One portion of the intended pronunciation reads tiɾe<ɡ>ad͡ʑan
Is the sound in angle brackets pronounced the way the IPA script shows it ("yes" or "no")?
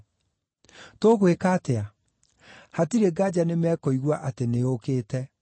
yes